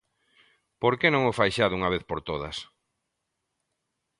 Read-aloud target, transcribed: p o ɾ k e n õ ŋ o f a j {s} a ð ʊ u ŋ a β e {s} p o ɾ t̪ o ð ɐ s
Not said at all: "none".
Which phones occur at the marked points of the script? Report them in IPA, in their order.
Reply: ʃ, θ

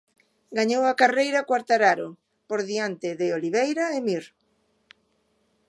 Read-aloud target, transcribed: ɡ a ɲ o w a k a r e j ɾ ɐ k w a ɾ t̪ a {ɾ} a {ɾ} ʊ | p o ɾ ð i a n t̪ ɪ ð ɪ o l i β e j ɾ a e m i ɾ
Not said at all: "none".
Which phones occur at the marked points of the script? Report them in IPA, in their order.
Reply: ɾ, ɾ

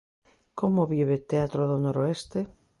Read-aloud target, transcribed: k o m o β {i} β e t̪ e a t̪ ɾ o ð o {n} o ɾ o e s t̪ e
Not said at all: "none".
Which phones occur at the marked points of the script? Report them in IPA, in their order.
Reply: i, n

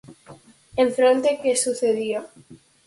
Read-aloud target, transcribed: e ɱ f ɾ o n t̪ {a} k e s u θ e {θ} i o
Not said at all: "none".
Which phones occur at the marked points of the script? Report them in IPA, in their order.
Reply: e, ð

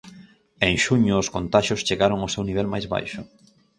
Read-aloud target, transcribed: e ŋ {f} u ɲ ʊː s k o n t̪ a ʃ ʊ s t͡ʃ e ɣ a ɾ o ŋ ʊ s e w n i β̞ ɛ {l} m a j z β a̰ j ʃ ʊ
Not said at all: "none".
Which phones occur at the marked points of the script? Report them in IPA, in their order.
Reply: ʃ, l

